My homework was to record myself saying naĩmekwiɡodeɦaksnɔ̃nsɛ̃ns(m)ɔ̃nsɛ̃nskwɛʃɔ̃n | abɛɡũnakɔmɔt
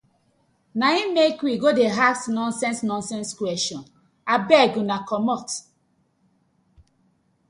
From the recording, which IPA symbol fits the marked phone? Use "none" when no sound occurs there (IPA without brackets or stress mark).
n